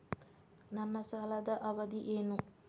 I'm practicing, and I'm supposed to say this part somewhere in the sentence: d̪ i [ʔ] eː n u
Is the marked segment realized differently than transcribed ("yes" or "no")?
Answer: no